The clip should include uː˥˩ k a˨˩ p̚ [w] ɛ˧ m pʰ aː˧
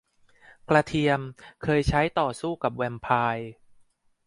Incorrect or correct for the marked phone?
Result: correct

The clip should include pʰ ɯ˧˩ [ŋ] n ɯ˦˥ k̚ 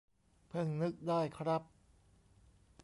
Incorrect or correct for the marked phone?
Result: correct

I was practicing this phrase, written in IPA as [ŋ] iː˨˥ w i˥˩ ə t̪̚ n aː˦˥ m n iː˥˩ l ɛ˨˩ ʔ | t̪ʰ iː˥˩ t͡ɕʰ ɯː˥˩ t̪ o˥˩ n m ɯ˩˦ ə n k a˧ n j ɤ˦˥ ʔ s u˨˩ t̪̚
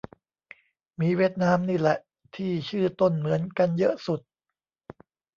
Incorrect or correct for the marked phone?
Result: incorrect: m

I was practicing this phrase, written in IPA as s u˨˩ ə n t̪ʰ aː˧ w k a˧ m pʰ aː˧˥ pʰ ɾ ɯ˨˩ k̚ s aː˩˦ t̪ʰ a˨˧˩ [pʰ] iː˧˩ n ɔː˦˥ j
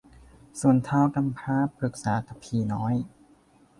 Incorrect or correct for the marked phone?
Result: correct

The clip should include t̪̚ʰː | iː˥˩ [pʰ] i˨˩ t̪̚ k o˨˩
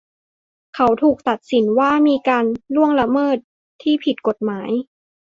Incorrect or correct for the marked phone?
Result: correct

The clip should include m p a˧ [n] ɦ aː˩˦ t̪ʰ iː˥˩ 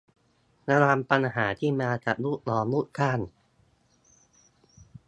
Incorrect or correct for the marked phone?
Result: correct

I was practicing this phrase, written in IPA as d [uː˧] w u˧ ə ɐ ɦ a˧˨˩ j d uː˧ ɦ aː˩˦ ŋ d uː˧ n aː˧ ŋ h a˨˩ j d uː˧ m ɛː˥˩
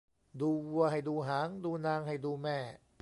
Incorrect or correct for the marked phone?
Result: correct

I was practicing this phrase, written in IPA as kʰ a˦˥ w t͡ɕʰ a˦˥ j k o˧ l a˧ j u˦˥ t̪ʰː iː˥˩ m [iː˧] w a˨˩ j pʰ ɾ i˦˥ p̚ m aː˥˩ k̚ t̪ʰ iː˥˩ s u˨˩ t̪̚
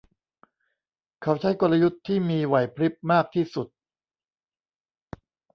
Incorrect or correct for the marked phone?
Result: correct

